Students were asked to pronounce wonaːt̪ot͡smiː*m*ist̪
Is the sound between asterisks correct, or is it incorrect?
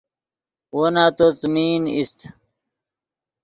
incorrect: n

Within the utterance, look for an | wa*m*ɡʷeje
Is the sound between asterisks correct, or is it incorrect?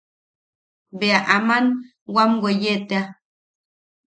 correct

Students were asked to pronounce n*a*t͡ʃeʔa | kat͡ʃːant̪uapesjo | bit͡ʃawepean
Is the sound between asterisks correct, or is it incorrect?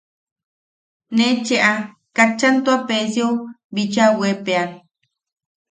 incorrect: e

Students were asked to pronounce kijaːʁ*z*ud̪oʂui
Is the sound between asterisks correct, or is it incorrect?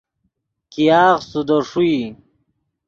incorrect: s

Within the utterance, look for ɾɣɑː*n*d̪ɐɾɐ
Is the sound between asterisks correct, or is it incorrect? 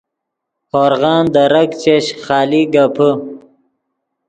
correct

